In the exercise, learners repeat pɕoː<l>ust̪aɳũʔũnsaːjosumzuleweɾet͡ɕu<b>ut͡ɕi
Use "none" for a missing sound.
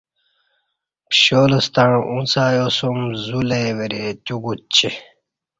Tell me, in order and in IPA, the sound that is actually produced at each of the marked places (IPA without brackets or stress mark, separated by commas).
l, ɡ